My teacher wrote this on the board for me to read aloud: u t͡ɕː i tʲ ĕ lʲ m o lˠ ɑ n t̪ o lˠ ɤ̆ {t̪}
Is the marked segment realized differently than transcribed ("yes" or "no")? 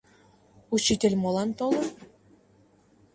yes